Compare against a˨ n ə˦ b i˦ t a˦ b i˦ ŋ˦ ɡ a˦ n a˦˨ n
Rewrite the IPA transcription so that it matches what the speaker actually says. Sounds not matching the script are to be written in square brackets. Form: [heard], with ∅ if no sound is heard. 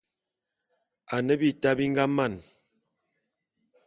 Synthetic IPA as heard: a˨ n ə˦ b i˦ t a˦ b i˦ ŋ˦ ɡ a˦ [m] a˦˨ n